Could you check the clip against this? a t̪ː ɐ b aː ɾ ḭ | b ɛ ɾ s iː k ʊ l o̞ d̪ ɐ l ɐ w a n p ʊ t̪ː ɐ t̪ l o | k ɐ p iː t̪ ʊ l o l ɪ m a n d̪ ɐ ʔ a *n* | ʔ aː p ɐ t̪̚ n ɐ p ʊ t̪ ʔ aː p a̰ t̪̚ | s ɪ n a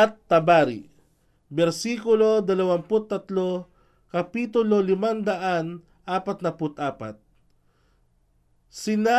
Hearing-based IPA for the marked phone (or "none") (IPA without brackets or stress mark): n